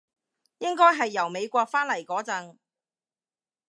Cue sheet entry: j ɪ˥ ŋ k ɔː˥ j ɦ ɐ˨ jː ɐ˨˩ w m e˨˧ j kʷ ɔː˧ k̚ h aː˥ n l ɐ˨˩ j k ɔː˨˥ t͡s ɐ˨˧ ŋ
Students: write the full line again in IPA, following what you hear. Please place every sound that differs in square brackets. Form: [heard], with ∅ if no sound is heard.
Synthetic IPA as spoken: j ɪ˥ ŋ k ɔː˥ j ɦ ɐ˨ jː ɐ˨˩ w m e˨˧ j kʷ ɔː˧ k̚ [f] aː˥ n l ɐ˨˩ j k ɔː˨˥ t͡s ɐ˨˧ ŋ